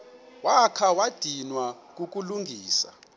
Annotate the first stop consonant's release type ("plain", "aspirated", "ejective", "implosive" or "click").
aspirated